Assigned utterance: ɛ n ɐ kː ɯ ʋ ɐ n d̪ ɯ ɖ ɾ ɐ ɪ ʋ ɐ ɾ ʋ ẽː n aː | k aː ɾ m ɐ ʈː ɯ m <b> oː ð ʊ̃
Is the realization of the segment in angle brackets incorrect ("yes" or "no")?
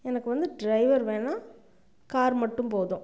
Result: yes